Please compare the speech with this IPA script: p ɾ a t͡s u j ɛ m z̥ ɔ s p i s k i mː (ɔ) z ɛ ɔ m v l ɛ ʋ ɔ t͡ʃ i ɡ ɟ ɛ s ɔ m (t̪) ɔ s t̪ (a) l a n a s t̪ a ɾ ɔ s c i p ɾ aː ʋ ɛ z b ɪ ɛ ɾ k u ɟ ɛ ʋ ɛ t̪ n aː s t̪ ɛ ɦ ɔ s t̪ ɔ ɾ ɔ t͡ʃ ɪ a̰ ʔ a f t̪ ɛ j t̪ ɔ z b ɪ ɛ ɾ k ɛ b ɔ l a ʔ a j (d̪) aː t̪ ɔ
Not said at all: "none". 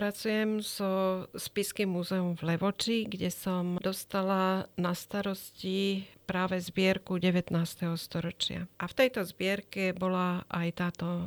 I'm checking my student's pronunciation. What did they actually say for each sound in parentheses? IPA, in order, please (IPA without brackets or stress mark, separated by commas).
u, d̪, a, t̪